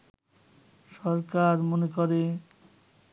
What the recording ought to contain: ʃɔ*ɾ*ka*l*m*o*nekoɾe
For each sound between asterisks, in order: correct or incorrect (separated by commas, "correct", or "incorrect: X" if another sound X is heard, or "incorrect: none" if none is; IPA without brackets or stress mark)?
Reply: correct, incorrect: ɾ, correct